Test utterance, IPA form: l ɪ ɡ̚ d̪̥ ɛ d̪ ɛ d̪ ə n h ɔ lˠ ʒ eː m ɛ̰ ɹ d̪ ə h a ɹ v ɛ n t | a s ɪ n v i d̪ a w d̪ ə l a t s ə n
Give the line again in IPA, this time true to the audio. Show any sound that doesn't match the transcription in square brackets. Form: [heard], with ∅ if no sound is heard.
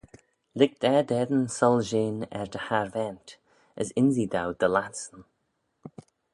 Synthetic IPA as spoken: l ɪ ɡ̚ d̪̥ ɛ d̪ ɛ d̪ ə n [s] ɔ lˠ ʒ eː [n] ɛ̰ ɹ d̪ ə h a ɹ v ɛ n t | [ə] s ɪ n [z] i d̪ a w d̪ ə l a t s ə n